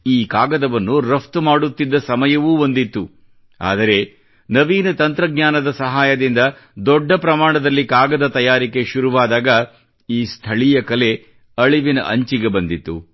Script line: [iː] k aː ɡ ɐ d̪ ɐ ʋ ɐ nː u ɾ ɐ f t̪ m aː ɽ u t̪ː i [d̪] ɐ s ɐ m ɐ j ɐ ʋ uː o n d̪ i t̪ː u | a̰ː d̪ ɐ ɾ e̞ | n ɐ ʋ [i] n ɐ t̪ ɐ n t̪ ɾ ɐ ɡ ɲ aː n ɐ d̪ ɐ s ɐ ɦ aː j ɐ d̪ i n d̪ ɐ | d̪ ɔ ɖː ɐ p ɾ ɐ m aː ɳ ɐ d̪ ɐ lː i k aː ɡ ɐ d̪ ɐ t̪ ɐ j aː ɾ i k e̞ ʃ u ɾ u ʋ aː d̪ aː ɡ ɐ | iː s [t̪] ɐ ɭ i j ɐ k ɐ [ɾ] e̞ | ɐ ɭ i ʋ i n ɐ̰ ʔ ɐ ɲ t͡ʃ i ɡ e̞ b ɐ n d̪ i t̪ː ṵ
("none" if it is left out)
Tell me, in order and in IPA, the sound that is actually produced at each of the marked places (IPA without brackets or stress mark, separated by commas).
iː, d̪ː, iː, t̪ʰ, l